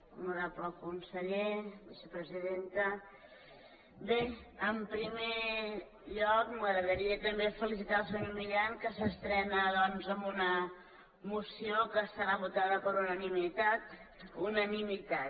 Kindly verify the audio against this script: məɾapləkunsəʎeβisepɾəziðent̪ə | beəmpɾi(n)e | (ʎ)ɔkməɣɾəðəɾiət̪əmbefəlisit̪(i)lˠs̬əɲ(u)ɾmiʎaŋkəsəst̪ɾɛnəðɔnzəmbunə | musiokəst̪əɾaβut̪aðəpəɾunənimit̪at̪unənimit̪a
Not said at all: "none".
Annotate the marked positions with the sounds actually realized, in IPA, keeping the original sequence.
m, ʎ, a, o

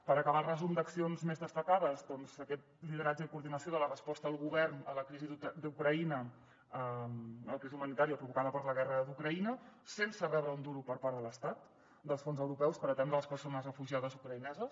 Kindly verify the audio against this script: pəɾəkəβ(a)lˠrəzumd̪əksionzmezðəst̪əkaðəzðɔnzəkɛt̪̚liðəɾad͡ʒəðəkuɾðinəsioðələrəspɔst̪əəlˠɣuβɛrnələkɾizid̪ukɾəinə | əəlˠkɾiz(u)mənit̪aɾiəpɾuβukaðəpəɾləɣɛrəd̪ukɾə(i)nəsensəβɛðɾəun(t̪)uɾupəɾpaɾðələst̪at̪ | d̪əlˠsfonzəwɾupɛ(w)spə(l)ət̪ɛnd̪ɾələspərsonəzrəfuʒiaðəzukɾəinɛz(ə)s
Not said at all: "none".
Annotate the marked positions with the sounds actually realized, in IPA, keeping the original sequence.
a, u, i, d̪, w, ɾ, ə

